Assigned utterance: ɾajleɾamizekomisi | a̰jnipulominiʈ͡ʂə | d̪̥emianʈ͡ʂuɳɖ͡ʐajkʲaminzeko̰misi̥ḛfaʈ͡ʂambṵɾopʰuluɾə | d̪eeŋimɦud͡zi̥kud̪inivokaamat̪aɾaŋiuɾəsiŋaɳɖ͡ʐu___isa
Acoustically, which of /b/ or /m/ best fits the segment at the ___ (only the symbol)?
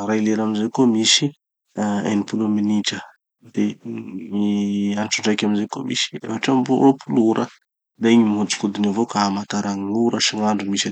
m